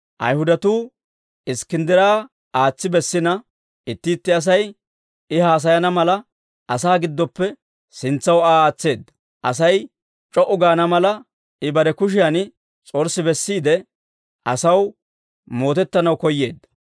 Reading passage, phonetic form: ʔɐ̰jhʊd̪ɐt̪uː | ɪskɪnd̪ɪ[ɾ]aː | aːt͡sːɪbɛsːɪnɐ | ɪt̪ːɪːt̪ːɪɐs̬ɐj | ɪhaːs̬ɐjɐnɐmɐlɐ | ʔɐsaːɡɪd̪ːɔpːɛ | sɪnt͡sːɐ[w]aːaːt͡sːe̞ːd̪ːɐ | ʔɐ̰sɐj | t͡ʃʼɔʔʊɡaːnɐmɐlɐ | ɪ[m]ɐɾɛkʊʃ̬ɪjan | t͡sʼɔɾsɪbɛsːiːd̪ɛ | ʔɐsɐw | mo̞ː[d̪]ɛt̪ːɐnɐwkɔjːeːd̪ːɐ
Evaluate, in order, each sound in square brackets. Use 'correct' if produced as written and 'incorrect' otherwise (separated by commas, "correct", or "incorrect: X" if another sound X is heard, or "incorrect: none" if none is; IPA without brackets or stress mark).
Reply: correct, correct, incorrect: b, incorrect: t̪